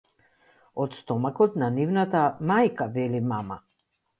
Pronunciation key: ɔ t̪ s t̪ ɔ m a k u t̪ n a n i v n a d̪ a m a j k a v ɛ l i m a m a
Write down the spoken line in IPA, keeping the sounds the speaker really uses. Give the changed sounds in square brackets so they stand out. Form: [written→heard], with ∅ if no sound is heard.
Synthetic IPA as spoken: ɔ t̪ s t̪ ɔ m a k [u→ɔ] t̪ n a n i v n a [d̪→t̪] a m a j k a v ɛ l i m a m a